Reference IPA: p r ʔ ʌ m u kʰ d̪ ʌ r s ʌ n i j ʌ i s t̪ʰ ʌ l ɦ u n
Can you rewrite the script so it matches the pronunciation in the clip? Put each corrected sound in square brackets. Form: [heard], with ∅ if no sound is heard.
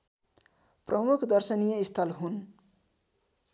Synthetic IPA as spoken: p r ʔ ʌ m u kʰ d̪ ʌ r s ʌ n i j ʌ i s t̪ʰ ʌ l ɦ u n